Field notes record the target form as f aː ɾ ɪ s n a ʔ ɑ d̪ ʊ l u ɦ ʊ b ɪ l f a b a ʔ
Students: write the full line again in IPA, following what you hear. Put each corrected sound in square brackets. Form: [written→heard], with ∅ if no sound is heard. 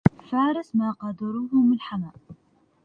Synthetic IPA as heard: f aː ɾ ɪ s [n→m] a [ʔ→q] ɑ d̪ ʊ [l→ɾ] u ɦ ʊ [b→m] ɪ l [f→ħ] a [b→m] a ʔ